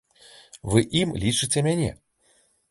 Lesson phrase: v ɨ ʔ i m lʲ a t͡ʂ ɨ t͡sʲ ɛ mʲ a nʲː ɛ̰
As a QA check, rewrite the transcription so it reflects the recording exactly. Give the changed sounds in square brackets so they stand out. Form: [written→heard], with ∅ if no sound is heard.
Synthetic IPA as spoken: v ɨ ʔ i m lʲ [a→i] t͡ʂ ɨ t͡sʲ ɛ mʲ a [nʲː→nʲ] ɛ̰